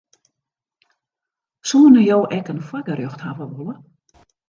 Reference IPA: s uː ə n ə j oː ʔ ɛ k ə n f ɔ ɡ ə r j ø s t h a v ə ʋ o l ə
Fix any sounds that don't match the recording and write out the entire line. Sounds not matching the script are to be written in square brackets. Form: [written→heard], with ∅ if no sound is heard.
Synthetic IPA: s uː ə n ə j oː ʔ ɛ k ə n f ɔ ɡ ə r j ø [s→x] t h a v ə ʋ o l ə